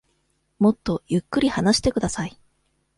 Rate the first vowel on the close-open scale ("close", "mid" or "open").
mid